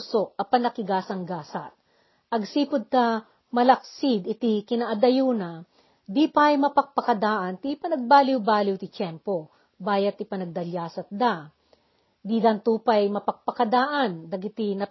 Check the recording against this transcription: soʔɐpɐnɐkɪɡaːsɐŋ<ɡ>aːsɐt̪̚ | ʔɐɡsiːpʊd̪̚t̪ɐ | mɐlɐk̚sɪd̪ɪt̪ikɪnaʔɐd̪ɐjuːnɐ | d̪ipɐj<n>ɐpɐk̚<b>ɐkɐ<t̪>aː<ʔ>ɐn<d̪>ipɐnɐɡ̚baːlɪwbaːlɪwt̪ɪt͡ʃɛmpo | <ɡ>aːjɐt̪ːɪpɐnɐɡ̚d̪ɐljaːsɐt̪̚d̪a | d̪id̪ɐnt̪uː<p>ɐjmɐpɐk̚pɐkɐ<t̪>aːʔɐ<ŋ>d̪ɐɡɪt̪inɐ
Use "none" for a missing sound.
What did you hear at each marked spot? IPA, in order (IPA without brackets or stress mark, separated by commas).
ɡ, m, p, d̪, ʔ, t̪, b, p, d̪, n